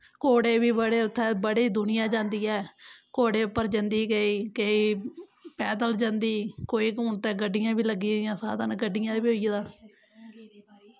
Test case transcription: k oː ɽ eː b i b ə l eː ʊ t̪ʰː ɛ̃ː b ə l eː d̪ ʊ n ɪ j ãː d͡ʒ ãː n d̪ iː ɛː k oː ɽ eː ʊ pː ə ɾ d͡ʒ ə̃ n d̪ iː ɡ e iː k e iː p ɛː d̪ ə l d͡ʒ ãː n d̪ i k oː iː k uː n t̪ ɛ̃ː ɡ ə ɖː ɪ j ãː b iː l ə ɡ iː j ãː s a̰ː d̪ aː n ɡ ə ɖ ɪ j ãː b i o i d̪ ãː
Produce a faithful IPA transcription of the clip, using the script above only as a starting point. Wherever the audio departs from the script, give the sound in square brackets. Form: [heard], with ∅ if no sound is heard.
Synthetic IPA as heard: k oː ɽ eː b [iː] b ə [ɽ] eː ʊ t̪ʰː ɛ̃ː b ə [ɽ] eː d̪ ʊ n ɪ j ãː d͡ʒ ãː n d̪ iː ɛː k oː ɽ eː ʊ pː ə ɾ d͡ʒ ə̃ n d̪ iː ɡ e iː k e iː p ɛː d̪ ə l d͡ʒ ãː n d̪ [iː] k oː iː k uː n t̪ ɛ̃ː ɡ ə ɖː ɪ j ãː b iː l ə ɡ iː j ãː s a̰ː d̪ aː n ɡ ə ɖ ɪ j ãː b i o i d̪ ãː

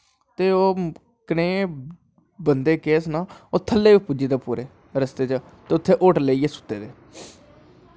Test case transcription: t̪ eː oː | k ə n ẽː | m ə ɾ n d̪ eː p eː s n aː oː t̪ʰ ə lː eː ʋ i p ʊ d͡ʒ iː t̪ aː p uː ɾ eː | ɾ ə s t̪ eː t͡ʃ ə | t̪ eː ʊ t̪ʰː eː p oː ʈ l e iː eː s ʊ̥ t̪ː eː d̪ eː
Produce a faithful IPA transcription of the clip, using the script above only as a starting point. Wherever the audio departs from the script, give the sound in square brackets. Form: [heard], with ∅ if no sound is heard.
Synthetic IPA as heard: t̪ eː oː | k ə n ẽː | [b] ə [∅] n d̪ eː [k] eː s n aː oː t̪ʰ ə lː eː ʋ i p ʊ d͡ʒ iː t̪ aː p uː ɾ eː | ɾ ə s t̪ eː t͡ʃ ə | t̪ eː ʊ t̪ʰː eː [ʔ] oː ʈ l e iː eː s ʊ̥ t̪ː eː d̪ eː

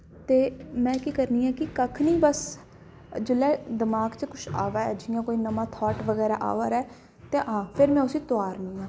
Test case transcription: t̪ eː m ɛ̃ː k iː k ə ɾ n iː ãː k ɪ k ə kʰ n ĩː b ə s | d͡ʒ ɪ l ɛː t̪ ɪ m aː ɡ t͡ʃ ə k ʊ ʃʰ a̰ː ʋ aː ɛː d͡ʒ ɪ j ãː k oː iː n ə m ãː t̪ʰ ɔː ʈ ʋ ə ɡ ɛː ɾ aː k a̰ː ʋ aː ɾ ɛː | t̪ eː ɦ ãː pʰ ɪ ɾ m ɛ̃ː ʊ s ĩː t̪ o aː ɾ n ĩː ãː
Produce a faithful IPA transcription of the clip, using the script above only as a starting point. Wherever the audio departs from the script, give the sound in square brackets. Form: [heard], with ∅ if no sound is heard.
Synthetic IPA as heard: t̪ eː m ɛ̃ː k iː k ə ɾ n iː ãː k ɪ k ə kʰ n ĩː b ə s | d͡ʒ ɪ l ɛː [d̪] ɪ m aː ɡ t͡ʃ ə k ʊ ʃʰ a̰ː ʋ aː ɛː d͡ʒ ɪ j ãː k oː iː n ə m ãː t̪ʰ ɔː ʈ ʋ ə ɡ ɛː ɾ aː [ʔ] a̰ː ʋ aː ɾ ɛː | t̪ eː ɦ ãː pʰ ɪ ɾ m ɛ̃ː ʊ s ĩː t̪ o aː ɾ n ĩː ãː

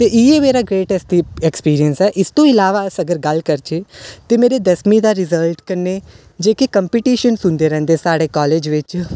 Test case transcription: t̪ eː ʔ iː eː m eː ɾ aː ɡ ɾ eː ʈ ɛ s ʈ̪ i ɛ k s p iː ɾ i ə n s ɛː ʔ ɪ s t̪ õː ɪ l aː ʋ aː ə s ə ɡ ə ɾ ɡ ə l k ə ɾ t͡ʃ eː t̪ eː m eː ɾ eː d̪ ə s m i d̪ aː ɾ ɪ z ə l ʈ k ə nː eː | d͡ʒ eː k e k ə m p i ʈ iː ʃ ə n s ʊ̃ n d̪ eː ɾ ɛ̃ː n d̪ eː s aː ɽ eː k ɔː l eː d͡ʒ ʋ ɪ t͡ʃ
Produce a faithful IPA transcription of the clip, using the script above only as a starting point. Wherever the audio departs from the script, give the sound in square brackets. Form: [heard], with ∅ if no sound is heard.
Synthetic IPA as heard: t̪ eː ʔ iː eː m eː ɾ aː ɡ ɾ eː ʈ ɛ s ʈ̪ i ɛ k s p iː ɾ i ə n s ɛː ʔ ɪ s t̪ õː ɪ l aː ʋ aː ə s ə ɡ ə ɾ ɡ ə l k ə ɾ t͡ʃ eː t̪ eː m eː ɾ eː d̪ ə s m i d̪ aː ɾ ɪ z ə l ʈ k ə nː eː | d͡ʒ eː k e k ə m p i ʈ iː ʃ ə n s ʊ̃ n d̪ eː ɾ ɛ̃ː n d̪ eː s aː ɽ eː k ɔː l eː d͡ʒ ʋ ɪ t͡ʃ

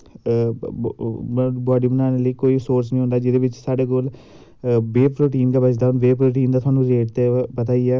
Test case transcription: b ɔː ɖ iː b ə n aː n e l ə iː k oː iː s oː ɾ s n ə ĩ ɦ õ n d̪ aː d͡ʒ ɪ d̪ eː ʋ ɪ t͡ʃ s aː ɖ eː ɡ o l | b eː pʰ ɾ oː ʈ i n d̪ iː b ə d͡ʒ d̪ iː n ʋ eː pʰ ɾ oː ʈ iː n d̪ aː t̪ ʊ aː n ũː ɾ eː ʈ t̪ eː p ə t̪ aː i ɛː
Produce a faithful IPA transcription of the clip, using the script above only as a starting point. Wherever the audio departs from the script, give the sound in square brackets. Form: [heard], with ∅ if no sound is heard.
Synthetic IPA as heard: b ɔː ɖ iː b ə n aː n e l ə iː k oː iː s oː ɾ s n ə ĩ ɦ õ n d̪ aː d͡ʒ ɪ d̪ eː ʋ ɪ t͡ʃ s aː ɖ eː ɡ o l | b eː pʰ ɾ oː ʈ [iː] n d̪ [aː] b ə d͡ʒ d̪ [aː] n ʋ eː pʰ ɾ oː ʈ iː n d̪ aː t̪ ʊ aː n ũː ɾ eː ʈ t̪ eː p ə t̪ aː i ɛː

